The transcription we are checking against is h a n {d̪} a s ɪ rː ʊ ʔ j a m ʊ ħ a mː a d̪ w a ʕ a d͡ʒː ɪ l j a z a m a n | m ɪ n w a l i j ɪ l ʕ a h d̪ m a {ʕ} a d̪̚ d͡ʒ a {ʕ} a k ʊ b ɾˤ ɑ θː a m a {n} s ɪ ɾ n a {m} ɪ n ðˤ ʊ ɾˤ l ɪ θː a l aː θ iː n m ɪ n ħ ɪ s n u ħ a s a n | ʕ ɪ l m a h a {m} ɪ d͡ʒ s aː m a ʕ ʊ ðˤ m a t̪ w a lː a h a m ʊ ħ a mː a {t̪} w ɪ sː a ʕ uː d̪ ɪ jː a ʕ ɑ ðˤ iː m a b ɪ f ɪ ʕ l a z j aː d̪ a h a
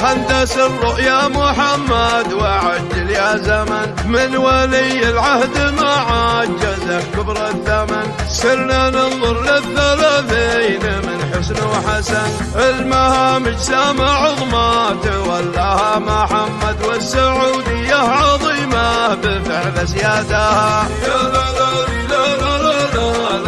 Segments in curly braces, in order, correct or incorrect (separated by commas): correct, correct, incorrect, correct, incorrect, correct, incorrect